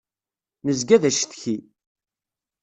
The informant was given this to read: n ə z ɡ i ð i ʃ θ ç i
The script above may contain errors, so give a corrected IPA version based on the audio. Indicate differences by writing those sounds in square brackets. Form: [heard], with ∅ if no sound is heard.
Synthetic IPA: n ə z ɡ [æ] ð [æ] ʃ θ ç i